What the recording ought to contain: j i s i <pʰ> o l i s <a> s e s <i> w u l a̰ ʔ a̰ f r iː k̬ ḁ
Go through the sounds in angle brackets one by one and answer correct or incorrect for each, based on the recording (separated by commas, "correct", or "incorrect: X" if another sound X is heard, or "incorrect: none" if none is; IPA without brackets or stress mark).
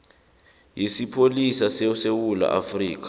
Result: correct, correct, incorrect: e